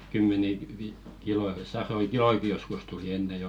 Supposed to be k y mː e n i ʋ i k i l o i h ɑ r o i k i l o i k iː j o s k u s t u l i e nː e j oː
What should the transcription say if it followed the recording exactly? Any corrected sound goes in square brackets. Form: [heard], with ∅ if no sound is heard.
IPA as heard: k y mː e n i ʋ i k i l o i [s] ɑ r o i k i l o i k [i] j o s k u s t u l i e nː e j oː